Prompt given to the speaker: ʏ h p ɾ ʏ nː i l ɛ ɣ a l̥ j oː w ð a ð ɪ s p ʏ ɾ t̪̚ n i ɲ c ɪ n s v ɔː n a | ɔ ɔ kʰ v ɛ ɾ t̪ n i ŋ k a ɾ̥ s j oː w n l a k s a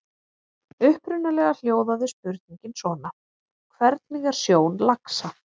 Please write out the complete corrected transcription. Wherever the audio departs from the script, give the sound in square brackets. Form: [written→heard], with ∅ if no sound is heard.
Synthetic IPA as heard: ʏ h p ɾ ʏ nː [i→a] l ɛ ɣ a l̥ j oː w ð a ð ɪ s p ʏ ɾ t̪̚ n i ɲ c ɪ n s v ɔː n a | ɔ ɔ kʰ v ɛ ɾ t̪ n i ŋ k a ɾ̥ s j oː w n l a k s a